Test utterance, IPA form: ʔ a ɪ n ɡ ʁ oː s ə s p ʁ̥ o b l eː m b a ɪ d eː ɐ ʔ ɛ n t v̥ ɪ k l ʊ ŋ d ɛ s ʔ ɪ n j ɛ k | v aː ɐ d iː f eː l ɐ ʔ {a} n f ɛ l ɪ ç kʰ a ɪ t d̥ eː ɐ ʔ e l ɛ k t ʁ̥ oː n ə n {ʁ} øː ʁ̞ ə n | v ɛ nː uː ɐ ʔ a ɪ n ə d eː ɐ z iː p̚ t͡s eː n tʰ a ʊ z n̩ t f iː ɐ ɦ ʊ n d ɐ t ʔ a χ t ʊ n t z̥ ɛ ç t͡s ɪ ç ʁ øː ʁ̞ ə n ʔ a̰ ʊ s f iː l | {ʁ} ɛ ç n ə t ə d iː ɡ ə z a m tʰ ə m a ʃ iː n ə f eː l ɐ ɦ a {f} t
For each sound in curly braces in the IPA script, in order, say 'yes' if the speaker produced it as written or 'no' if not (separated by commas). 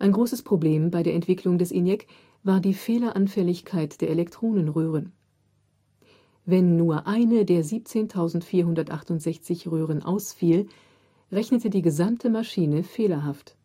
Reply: yes, yes, yes, yes